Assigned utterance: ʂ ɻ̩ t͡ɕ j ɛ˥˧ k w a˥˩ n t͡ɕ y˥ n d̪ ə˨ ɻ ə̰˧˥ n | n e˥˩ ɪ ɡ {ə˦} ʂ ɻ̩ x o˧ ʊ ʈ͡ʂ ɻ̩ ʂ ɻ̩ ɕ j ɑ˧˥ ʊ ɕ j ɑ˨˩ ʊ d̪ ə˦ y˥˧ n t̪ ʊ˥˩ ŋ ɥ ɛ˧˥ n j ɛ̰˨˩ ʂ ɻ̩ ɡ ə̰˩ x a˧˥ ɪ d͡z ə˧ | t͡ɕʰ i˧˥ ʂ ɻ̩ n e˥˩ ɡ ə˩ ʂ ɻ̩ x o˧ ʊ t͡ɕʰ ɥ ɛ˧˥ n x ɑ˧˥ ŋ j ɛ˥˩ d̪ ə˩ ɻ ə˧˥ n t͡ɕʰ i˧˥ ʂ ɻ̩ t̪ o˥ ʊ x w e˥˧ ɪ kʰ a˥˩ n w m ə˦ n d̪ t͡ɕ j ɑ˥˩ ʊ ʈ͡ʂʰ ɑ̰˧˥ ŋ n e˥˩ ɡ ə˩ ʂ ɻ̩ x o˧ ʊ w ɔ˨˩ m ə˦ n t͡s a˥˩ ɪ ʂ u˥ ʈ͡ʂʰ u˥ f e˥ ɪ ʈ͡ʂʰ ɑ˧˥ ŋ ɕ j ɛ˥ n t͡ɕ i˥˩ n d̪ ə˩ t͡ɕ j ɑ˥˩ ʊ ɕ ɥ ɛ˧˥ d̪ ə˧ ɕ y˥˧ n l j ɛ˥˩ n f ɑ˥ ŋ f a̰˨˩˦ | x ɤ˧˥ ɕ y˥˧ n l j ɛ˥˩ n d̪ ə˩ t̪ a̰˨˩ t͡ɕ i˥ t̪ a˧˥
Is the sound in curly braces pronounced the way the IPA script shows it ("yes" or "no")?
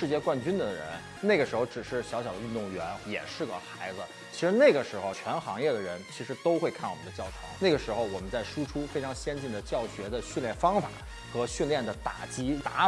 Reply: no